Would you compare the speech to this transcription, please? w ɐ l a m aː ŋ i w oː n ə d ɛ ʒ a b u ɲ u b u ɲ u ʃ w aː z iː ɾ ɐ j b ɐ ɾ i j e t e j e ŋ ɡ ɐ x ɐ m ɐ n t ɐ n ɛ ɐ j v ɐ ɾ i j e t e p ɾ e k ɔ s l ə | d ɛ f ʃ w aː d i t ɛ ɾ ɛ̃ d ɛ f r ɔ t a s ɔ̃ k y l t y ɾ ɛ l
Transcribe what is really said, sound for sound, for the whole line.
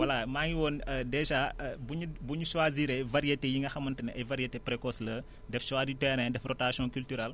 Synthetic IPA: w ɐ l a m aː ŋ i w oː n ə d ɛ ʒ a b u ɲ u b u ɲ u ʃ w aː z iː ɾ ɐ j v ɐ ɾ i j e t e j i ŋ ɡ ɐ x ɐ m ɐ n t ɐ n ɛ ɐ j v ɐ ɾ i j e t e p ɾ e k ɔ s l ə | d ɛ f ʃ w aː d i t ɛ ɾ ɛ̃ d ɛ f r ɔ t a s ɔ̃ k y l t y ɾ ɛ l